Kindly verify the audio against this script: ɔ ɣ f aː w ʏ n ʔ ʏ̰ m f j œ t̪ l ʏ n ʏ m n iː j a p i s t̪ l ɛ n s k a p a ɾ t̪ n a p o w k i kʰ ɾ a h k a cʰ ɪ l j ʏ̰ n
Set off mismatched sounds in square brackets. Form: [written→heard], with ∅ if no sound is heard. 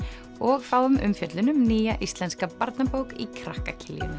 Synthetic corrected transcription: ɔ ɣ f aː w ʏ [n→m] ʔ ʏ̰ m f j œ t̪ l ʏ n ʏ m n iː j a [p→ʔ] i s t̪ l ɛ n s k a p a ɾ t̪ n a p o w k i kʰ ɾ a h k a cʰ ɪ l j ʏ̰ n